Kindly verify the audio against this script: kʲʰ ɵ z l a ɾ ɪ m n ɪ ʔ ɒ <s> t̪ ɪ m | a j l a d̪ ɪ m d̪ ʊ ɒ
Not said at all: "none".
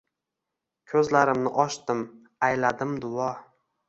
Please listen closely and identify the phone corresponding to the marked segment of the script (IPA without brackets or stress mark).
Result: ʃ